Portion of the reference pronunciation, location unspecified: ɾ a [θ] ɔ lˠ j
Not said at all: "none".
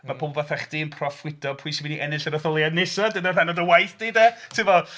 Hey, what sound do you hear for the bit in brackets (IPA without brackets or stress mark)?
θ